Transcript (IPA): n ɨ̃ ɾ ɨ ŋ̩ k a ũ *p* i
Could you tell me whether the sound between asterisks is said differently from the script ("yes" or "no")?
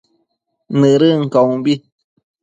yes